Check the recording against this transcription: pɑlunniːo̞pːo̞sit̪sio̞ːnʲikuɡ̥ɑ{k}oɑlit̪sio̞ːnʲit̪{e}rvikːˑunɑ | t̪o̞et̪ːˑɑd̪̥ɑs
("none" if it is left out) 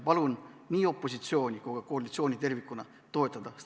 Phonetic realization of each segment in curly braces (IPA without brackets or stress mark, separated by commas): k, e